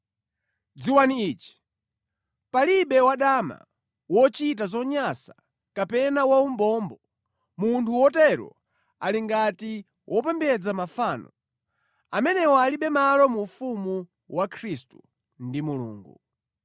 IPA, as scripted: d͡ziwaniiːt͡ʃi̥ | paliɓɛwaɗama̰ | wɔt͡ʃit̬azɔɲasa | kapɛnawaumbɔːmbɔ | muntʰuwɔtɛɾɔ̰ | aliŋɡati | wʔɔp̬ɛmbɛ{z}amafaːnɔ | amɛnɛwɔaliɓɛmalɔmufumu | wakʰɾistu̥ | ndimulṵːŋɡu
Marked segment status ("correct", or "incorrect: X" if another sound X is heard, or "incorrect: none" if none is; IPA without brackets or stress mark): incorrect: d͡z